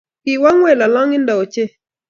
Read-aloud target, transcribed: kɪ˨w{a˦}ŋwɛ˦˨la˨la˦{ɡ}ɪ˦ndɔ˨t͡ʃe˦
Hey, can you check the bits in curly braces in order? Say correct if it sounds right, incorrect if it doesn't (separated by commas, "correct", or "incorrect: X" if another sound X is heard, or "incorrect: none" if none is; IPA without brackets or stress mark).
correct, incorrect: ŋ